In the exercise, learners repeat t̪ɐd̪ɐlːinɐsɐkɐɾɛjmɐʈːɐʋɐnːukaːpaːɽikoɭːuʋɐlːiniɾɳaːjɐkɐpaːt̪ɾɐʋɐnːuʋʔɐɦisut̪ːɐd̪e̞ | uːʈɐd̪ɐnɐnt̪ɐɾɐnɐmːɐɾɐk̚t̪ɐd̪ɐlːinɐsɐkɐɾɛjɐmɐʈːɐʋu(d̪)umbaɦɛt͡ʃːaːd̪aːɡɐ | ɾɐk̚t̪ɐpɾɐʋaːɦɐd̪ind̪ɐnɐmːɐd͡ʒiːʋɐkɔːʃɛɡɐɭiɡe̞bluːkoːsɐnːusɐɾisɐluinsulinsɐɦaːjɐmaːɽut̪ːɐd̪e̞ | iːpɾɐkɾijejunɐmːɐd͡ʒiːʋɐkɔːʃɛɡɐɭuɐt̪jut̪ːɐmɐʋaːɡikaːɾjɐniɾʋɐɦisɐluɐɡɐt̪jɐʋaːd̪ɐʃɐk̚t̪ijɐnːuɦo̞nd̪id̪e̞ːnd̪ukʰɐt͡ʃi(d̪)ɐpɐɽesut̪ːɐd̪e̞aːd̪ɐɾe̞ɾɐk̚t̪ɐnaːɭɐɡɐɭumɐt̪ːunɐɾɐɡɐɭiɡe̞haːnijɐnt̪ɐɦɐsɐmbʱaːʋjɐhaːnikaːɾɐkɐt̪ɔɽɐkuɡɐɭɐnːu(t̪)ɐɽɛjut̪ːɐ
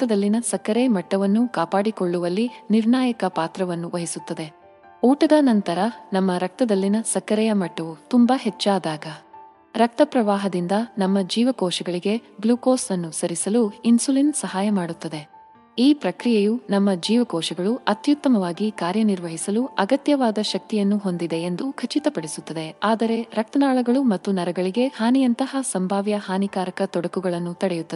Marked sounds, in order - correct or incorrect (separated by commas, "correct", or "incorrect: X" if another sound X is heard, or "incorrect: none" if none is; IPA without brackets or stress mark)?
incorrect: t̪, incorrect: t̪, correct